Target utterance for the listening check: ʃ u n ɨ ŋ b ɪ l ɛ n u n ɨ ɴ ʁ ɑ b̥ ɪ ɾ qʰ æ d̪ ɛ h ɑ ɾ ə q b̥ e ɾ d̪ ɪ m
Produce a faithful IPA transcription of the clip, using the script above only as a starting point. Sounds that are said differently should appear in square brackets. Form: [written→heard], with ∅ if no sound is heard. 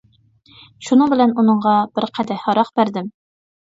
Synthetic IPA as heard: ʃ u n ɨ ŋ b ɪ l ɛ n u n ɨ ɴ ʁ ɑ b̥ ɪ ɾ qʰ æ d̪ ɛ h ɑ ɾ [ə→ɑ] q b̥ [e→æ] ɾ d̪ ɪ m